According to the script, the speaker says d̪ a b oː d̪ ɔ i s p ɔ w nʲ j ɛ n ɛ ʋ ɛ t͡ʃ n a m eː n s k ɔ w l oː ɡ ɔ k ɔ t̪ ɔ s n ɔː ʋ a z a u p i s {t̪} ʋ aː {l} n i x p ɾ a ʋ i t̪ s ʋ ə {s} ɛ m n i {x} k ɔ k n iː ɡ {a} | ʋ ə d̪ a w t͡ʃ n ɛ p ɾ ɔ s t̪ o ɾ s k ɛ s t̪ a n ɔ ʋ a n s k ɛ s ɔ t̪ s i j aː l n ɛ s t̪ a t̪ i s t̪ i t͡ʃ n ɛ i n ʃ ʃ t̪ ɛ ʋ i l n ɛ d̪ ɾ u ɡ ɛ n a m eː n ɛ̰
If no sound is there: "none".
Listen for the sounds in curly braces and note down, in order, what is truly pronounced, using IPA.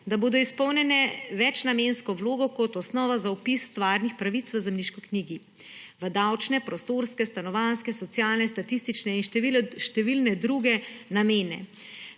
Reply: t̪, ɾ, z, ʃ, i

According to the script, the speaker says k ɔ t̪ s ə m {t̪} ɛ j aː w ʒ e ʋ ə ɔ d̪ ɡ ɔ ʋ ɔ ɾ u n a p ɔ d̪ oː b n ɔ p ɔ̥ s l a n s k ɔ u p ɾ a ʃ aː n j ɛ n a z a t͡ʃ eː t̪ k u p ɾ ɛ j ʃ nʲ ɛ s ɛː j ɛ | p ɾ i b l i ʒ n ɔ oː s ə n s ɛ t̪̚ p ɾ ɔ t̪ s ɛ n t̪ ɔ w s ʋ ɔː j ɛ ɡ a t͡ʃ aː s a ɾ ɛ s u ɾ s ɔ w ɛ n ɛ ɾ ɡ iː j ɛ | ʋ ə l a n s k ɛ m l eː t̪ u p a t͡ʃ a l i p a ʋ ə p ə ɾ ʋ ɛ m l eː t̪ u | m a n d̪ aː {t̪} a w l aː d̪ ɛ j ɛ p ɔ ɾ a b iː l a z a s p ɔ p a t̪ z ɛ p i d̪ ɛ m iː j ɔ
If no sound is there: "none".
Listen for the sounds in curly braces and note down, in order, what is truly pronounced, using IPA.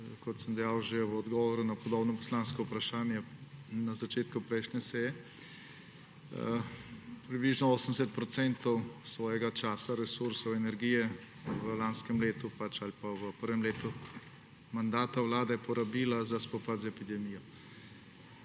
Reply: d̪, t̪

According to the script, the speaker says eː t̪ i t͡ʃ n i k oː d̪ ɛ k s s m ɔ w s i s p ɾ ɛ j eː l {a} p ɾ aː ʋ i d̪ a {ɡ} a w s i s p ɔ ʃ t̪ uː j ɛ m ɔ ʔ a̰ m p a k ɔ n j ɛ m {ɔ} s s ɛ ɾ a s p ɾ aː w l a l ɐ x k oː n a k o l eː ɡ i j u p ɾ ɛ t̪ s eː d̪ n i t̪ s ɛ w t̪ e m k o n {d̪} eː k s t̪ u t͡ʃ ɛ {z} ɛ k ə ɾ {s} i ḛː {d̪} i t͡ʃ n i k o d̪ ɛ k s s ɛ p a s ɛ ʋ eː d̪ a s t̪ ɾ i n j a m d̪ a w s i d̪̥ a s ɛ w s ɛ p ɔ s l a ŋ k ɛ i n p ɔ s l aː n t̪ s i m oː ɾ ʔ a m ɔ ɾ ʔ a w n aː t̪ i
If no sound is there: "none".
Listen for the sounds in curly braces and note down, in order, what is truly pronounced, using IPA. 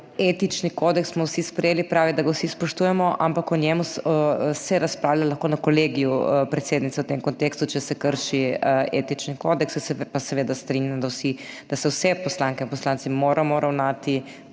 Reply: i, ɡ, u, t̪, s, ʃ, t̪

